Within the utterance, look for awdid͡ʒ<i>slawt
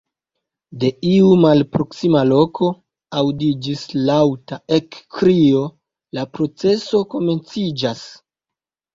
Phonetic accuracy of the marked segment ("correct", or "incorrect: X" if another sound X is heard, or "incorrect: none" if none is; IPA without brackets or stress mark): correct